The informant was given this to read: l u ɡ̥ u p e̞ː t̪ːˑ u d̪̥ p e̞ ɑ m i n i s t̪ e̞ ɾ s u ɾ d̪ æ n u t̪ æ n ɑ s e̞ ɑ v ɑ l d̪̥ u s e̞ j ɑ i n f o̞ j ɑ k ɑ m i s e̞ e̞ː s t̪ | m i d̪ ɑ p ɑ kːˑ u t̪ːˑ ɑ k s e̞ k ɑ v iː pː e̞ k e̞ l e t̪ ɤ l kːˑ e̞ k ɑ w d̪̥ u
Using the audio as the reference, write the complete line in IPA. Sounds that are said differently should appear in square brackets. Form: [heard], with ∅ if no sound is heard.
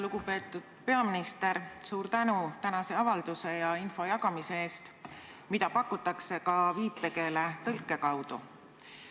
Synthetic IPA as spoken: l u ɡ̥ u p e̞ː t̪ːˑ u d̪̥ p e̞ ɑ m i n i s t̪ e̞ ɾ s [uː] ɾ [t̪] æ n u t̪ æ n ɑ s e̞ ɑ v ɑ l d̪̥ u s e̞ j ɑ i n f o̞ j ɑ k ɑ m i s e̞ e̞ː s t̪ | m i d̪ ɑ p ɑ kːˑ u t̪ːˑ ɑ k s e̞ k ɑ v iː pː e̞ k e̞ l e t̪ ɤ l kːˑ e̞ k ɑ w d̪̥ u

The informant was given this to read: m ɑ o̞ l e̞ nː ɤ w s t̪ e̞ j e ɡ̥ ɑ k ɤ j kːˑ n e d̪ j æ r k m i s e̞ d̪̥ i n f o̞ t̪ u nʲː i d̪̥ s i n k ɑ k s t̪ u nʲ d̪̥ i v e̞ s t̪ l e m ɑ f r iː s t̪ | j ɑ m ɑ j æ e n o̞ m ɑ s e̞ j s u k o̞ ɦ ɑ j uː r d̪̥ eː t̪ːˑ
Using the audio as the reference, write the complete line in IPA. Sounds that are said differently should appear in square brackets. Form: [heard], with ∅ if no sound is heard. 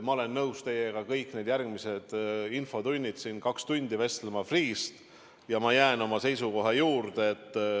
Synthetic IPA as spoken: m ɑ o̞ l e̞ nː ɤ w s t̪ e̞ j e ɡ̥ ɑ k ɤ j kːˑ n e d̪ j æ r [ɡ] m i s e̞ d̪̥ i n f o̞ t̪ u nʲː i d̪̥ s i n k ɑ k s t̪ u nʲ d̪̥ i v e̞ s t̪ l e m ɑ f r iː s t̪ | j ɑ m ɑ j æ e n o̞ m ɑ s e̞ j s u k o̞ ɦ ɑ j uː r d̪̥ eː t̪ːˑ

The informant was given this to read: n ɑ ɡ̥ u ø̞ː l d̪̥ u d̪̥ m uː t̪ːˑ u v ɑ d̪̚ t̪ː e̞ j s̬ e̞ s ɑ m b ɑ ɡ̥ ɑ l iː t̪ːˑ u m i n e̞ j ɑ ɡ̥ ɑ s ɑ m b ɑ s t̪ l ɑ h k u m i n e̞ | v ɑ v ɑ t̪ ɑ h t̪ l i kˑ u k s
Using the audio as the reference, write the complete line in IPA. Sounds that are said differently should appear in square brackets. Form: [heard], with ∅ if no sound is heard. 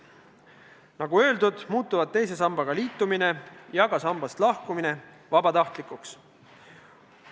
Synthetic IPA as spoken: n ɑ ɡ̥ u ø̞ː l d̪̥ u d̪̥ m uː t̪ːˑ u v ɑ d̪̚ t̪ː e̞ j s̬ e̞ s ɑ m b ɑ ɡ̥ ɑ l iː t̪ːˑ u m i n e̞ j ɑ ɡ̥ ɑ s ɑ m b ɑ s t̪ l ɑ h k u m i n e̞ | v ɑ [b] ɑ t̪ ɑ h t̪ l i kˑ u k s

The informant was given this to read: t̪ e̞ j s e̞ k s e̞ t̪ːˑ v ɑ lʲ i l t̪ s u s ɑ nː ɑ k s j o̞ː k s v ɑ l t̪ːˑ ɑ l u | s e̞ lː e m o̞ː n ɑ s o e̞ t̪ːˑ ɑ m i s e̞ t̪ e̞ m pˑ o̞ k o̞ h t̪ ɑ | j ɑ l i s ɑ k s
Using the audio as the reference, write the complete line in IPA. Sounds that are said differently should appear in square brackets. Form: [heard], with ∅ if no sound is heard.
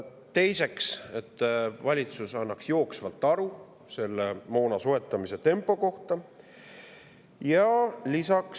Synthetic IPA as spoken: t̪ e̞ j s e̞ k s e̞ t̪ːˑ v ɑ lʲ i [∅] t̪ s u s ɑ nː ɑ k s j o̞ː k s v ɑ l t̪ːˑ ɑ [ɾ] u | s e̞ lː e m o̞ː n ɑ s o e̞ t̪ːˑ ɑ m i s e̞ t̪ e̞ m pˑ o̞ k o̞ h t̪ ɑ | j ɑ l i s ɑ k s

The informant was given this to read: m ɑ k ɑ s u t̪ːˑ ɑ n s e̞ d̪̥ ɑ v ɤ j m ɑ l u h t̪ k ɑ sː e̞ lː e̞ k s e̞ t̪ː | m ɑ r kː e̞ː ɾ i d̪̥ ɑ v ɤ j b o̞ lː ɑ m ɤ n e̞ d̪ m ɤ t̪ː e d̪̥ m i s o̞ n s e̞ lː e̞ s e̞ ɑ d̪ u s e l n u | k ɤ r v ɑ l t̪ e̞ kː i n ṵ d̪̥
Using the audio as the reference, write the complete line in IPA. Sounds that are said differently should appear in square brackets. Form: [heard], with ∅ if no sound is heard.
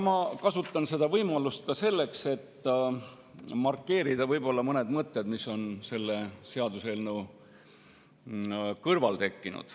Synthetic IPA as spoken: m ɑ k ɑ s u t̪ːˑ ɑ n s e̞ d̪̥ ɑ v ɤ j m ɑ l u [s] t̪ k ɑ [s] e̞ lː e̞ k s e̞ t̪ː | m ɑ r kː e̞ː ɾ i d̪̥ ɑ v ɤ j b o̞ lː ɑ m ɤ n e̞ d̪ m ɤ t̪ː e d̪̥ m i s o̞ n s e̞ lː e̞ s e̞ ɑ d̪ u s e l n u | k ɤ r v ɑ l t̪ e̞ kː i n ṵ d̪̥

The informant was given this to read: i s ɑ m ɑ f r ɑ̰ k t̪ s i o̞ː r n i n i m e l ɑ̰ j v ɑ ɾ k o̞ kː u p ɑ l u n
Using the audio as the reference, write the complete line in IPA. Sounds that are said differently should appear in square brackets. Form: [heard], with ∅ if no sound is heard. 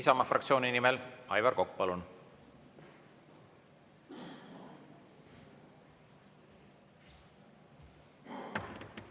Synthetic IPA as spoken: i s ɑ m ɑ f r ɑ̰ k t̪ s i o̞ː [∅] n i n i m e l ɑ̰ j v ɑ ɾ k o̞ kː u p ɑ l u n

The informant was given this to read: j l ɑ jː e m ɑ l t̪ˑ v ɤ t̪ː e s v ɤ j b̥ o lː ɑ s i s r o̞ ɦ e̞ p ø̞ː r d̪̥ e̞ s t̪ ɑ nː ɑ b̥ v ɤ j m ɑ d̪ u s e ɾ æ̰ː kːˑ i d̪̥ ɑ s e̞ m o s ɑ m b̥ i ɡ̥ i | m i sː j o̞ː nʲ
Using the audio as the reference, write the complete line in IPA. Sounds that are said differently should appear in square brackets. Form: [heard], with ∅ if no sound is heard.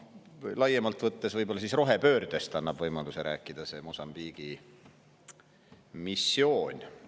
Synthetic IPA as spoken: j l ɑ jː e m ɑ l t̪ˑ v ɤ t̪ː e s v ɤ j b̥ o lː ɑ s i s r o̞ ɦ e̞ p ø̞ː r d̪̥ e̞ s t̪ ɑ nː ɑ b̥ v ɤ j m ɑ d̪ u s e ɾ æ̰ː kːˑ i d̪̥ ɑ s e̞ m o s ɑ m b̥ i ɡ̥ i | m i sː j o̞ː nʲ

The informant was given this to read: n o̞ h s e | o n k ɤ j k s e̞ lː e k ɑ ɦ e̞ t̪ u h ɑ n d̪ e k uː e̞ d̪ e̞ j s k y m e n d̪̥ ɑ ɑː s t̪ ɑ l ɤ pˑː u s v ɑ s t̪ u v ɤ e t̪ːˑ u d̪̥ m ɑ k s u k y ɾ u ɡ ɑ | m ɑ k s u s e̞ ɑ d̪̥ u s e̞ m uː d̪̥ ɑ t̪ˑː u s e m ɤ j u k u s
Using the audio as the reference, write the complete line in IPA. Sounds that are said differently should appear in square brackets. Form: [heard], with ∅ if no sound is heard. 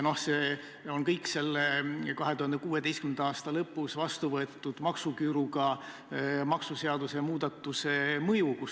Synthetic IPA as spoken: n o̞ h s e | o n k ɤ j k s e̞ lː e k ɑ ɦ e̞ t̪ u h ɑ n d̪ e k uː e̞ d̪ e̞ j s k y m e n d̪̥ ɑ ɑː s t̪ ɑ l ɤ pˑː u s v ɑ s t̪ u v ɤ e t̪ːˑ u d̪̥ m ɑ k s u k y ɾ u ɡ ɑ | m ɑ k s u s e̞ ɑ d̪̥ u s e̞ m uː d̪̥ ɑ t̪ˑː u s e m ɤ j u k u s

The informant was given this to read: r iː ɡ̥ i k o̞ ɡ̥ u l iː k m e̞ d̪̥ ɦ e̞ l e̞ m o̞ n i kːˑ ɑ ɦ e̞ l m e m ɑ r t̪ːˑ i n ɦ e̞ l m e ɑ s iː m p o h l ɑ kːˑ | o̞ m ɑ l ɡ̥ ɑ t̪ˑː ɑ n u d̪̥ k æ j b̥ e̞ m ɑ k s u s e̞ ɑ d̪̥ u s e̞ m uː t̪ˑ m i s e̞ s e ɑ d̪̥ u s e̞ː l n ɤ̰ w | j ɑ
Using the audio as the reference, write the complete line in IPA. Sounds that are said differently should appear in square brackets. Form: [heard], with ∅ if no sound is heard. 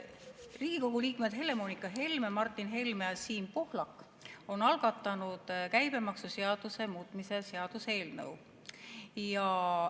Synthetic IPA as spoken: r iː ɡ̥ i k o̞ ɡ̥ u l iː k m e̞ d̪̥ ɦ e̞ l e̞ m o̞ n i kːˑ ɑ ɦ e̞ l m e m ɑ r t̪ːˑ i n ɦ e̞ l m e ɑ s iː m p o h l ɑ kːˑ | o̞ [n] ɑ l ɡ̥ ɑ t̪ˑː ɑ n u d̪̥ k æ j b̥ e̞ m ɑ k s u s e̞ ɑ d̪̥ u s e̞ m uː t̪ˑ m i s e̞ s e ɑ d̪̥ u s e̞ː l n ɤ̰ w | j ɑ

